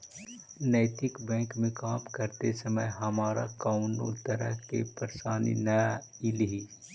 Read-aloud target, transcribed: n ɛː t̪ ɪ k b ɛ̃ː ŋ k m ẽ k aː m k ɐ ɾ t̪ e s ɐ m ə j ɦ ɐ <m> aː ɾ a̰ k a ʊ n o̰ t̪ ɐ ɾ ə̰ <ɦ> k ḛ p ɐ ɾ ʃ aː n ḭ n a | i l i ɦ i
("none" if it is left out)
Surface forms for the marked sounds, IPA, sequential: m, ɦ

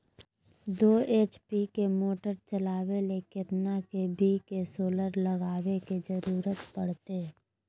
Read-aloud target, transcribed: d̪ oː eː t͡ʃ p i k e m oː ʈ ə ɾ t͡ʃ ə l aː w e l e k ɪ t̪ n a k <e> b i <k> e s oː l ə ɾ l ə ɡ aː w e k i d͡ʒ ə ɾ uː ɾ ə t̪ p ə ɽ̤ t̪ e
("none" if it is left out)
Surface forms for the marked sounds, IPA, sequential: e, k

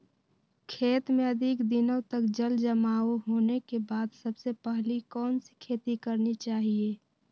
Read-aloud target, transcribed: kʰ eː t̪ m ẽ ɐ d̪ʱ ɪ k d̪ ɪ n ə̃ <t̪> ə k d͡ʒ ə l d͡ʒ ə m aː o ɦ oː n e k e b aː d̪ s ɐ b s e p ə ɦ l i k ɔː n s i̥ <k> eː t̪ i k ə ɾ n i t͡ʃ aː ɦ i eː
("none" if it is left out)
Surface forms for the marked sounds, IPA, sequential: t̪, kʰ

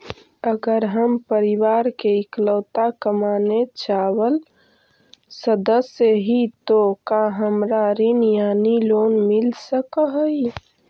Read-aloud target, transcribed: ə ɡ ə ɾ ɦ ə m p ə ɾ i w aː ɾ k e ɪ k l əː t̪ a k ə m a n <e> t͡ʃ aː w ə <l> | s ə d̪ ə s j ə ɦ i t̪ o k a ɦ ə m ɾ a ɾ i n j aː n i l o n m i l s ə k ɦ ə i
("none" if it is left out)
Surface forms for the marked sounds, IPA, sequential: e, l

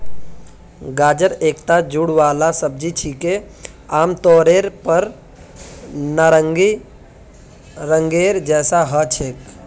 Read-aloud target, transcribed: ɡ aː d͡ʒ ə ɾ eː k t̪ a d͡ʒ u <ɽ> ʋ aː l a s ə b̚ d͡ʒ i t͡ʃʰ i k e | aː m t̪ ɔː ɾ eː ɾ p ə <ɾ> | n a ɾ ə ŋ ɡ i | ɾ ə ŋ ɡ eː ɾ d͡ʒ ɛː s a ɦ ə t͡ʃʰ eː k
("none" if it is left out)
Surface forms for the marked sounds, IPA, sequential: ɽ, ɾ

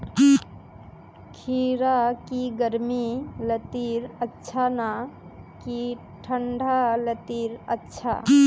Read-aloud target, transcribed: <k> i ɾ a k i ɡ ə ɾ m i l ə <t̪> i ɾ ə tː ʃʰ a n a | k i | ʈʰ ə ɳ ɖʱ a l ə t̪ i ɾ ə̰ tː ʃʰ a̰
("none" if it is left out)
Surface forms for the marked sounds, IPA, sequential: kʰ, t̪

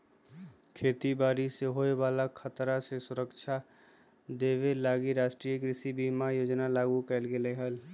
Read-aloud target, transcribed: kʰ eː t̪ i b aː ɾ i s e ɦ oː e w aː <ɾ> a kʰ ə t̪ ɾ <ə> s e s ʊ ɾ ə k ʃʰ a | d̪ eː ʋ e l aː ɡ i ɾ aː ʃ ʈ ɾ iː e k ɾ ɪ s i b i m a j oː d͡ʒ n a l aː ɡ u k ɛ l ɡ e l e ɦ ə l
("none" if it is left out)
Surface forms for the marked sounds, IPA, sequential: l, a

